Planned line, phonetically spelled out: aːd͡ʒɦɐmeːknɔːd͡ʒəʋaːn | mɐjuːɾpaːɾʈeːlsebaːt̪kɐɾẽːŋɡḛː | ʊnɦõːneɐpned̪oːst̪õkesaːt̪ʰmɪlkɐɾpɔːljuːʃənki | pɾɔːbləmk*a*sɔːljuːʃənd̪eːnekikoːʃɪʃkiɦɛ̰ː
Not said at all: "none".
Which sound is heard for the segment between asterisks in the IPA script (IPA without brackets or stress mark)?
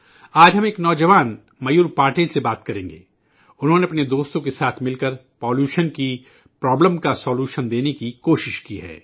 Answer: a